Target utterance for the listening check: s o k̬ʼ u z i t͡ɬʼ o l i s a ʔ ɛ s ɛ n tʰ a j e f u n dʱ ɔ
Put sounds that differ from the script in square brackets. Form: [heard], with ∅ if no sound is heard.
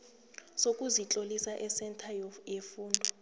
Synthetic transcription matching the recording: s o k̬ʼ u z i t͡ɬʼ o l i s a ʔ ɛ s ɛ n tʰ a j e f [uː] n dʱ ɔ